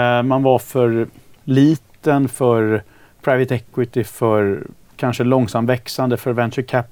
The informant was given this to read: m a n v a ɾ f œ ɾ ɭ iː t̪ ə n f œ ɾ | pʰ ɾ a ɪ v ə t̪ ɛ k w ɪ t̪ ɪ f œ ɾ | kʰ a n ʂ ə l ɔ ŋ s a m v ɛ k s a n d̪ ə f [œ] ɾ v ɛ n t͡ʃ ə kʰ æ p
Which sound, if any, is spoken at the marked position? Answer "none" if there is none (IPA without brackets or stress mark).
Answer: œ